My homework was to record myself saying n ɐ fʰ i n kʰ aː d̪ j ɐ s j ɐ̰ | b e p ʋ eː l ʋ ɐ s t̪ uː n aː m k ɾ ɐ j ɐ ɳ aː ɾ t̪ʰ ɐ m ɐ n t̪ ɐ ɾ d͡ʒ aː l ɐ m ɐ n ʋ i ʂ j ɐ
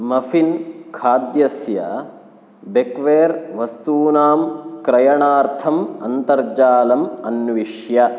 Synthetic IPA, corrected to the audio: m ɐ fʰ i n kʰ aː d̪ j ɐ s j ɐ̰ | b e k ʋ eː ɾ ʋ ɐ s t̪ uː n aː m k ɾ ɐ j ɐ ɳ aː ɾ t̪ʰ ɐ m ɐ n t̪ ɐ ɾ d͡ʒ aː l ɐ m ɐ n ʋ i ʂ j ɐ